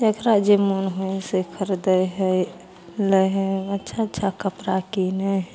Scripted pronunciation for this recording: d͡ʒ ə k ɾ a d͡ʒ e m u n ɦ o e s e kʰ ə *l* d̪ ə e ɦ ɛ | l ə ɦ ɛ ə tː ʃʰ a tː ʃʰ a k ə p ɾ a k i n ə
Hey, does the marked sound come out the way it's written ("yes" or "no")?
no